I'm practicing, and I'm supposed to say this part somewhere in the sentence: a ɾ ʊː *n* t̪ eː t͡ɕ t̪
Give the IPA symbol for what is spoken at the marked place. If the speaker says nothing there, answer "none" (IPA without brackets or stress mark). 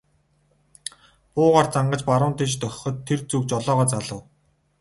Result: n